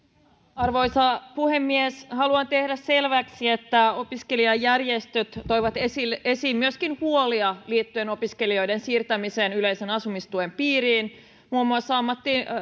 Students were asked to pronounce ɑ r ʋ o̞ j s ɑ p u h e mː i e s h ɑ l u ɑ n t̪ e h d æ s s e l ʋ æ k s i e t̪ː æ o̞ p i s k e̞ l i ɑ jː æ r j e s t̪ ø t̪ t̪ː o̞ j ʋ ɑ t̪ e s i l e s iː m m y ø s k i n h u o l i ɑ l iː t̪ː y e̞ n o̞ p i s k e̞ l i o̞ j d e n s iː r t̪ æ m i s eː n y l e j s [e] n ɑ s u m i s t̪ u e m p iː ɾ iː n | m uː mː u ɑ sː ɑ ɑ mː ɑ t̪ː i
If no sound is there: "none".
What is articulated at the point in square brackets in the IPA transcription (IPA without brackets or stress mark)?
e